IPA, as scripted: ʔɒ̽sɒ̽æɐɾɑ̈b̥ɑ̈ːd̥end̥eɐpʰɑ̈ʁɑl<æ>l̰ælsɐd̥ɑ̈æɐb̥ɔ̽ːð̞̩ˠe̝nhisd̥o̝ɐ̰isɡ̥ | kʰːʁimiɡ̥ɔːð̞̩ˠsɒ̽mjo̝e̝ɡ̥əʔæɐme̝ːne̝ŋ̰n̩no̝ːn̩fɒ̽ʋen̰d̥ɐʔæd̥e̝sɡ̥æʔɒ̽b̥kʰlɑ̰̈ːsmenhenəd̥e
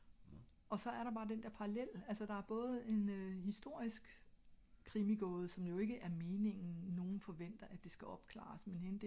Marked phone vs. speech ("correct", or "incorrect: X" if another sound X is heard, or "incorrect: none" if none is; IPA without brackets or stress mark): incorrect: e